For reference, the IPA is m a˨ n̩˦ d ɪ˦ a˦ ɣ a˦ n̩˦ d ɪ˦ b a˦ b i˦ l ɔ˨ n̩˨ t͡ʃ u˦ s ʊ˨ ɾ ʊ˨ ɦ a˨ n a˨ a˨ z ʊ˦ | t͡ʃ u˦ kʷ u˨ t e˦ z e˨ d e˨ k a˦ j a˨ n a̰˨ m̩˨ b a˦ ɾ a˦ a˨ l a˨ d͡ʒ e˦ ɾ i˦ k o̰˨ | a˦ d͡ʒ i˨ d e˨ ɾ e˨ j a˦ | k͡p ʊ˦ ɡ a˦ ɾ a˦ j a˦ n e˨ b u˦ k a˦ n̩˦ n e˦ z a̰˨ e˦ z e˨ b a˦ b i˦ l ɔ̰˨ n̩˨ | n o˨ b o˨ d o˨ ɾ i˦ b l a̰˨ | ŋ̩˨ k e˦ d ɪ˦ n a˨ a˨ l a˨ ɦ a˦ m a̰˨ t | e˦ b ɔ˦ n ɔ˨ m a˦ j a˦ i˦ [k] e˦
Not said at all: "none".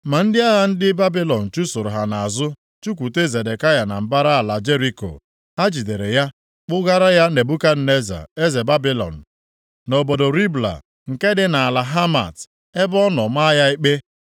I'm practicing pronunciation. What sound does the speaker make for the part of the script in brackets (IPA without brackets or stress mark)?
k͡p